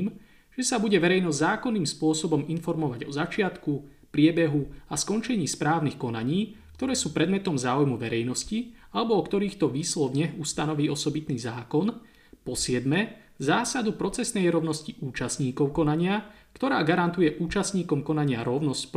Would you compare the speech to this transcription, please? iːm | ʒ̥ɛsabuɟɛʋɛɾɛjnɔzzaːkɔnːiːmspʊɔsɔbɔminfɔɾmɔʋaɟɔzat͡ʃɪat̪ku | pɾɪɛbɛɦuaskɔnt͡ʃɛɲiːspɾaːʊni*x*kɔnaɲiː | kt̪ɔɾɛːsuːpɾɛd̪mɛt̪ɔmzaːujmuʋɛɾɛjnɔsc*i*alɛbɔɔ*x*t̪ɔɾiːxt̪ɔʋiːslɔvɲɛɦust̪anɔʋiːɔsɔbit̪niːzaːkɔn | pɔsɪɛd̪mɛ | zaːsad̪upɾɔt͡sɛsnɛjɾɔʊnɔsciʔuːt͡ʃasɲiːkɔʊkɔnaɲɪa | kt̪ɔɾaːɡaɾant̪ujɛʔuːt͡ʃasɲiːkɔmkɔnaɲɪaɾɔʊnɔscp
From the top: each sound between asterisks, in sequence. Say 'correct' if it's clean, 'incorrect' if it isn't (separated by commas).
correct, correct, incorrect